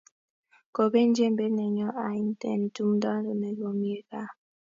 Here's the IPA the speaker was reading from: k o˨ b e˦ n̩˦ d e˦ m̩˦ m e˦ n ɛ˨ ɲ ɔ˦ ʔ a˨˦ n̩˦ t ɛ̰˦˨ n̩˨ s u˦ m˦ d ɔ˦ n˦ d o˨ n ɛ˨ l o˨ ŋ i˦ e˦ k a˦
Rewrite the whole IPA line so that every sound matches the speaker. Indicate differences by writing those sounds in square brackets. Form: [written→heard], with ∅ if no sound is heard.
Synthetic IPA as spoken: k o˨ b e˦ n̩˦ [d→d͡ʒ] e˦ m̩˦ [m→b] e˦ n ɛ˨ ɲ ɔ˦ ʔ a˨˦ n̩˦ t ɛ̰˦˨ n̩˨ [s→t] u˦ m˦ d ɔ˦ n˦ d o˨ n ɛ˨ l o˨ [ŋ→m] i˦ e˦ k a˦

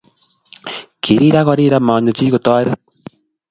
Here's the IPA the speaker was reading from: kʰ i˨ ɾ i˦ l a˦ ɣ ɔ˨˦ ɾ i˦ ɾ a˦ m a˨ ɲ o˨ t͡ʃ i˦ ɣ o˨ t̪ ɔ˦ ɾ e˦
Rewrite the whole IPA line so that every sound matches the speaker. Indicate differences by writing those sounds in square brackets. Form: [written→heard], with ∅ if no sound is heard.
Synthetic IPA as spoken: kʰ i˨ ɾ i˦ [l→ɾ] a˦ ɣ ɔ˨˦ ɾ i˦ ɾ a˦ m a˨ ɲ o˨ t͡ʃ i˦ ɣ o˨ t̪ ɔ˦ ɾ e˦

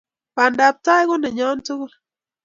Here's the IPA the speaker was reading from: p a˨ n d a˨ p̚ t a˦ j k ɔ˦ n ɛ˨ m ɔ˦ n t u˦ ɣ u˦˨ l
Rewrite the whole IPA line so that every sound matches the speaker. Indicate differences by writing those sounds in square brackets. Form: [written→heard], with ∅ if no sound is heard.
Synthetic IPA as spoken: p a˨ n d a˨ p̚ t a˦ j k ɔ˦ n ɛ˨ [m→ɲ] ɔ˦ n t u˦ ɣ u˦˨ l

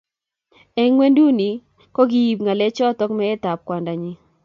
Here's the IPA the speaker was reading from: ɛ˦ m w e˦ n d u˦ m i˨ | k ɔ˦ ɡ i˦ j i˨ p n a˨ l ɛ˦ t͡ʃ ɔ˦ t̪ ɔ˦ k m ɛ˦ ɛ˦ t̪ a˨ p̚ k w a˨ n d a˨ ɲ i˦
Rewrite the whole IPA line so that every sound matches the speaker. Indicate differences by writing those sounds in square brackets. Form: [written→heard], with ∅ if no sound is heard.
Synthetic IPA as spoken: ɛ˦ [m→ŋ] w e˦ n d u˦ [m→n] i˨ | k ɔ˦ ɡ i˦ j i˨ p [n→ŋ] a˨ l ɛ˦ t͡ʃ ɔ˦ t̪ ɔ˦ k m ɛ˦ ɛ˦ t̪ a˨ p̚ k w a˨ n d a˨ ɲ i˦

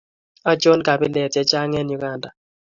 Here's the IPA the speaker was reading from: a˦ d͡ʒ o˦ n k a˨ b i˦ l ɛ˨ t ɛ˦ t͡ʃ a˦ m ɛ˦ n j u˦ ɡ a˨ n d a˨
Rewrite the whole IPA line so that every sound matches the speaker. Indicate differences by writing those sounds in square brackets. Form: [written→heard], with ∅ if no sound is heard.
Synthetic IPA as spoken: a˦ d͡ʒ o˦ n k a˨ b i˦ l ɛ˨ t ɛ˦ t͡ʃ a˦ [m→ŋ] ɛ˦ n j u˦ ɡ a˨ n d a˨

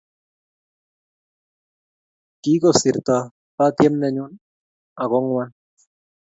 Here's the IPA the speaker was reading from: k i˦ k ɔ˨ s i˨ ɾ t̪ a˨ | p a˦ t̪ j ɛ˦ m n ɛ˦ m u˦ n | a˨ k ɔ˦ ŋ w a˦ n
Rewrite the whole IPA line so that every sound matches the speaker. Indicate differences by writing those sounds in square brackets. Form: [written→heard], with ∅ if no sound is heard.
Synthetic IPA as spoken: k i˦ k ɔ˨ s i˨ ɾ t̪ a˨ | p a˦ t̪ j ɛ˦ m n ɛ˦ [m→ɲ] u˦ n | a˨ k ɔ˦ ŋ w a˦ n

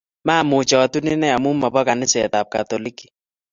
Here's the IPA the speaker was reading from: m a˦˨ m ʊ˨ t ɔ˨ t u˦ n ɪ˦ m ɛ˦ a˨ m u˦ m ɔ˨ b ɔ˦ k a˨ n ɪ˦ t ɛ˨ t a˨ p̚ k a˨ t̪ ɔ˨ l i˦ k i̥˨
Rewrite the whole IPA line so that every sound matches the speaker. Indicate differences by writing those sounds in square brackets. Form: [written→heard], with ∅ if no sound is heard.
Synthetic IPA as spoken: m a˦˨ m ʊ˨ [t→t͡ʃ] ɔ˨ t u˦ n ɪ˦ [m→n] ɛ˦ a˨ m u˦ m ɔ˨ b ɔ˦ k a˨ n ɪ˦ [t→s] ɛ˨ t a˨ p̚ k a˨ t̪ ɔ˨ l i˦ k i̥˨

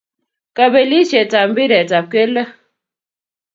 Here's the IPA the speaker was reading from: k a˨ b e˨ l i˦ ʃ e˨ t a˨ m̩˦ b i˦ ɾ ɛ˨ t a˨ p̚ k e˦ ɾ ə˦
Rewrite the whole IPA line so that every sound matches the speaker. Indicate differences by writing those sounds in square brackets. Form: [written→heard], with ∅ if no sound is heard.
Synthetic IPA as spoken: k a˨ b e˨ l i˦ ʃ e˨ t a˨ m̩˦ b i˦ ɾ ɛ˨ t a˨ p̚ k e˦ [ɾ→l] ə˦

